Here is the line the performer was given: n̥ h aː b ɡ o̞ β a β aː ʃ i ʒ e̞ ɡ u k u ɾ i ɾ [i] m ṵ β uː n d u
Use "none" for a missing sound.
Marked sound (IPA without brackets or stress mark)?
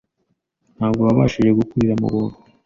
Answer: a